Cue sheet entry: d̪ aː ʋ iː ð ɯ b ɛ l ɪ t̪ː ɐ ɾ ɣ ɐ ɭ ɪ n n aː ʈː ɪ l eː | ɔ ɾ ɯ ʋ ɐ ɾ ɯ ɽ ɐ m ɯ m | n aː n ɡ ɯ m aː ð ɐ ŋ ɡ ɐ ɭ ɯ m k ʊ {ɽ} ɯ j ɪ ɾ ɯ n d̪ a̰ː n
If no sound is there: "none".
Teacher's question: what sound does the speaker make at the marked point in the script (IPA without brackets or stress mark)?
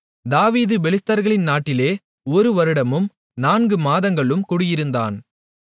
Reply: ɽ